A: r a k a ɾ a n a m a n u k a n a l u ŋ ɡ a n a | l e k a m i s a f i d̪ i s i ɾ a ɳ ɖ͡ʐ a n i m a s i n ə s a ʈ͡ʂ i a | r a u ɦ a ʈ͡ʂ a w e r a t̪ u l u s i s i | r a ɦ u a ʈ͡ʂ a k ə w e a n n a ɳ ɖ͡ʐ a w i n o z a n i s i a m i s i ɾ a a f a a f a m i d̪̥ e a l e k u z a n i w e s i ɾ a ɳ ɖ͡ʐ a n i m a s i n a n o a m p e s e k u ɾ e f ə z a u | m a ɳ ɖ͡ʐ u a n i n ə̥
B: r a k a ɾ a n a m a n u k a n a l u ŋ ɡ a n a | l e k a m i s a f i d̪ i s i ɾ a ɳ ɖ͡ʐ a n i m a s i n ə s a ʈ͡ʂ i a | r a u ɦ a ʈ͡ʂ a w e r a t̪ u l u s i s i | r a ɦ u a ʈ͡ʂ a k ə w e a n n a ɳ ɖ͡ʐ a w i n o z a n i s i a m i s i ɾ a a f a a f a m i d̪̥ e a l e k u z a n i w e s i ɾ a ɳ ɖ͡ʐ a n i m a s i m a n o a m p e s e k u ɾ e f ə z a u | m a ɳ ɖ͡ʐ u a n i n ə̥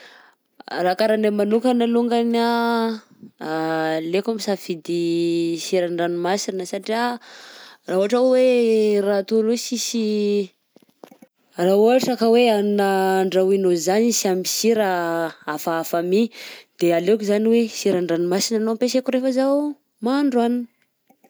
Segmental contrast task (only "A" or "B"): A